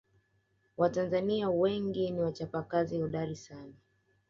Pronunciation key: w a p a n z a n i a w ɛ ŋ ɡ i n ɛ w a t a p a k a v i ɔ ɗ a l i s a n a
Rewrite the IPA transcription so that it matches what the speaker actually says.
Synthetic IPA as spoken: w a t a n z a n i a w ɛ ŋ ɡ i n i w a t͡ʃ a p a k a z i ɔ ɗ a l i s a n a